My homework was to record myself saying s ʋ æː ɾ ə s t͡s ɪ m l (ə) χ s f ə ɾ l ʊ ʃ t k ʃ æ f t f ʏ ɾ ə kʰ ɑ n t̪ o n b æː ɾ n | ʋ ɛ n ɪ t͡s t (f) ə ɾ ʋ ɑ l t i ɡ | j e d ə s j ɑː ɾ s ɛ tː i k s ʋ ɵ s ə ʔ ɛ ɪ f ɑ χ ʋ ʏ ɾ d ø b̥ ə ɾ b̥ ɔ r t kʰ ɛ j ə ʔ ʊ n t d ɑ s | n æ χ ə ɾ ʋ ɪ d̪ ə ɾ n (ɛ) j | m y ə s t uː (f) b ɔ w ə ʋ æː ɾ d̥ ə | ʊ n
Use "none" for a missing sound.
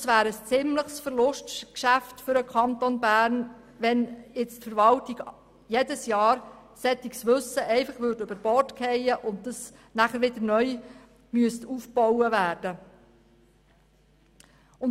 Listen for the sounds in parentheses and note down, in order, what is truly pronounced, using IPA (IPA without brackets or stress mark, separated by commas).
ə, f, œ, f